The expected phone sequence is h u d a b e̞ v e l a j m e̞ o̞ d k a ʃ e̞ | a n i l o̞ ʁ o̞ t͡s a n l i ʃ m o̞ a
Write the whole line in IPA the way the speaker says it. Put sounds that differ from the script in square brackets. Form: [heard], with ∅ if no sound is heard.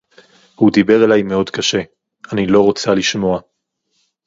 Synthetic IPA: h u d [i] b e̞ [ʁ] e l a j m e̞ o̞ d k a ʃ e̞ | a n i l o̞ ʁ o̞ t͡s a [∅] l i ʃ m o̞ a